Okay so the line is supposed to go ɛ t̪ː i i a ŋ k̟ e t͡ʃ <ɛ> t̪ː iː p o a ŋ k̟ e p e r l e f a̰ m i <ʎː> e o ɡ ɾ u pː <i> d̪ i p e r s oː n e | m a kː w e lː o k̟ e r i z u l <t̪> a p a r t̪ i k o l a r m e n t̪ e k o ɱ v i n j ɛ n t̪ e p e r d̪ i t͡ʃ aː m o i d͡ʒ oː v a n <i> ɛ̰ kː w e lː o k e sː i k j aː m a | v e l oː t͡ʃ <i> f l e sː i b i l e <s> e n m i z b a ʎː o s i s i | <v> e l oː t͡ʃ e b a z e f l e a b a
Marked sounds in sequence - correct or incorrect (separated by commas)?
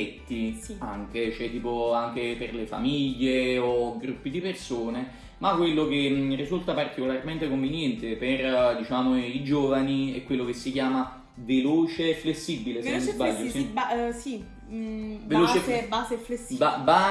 correct, correct, correct, correct, correct, incorrect, correct, correct